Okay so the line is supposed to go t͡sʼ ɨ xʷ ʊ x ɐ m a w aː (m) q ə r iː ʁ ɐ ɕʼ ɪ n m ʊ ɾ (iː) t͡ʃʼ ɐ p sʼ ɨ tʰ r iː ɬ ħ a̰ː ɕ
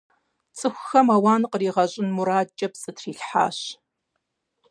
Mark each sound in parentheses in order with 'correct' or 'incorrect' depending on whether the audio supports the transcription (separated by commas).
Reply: incorrect, incorrect